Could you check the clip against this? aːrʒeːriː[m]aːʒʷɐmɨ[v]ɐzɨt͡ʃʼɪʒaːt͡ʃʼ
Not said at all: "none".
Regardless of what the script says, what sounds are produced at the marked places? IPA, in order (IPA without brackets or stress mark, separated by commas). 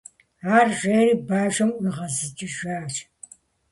b, ʁ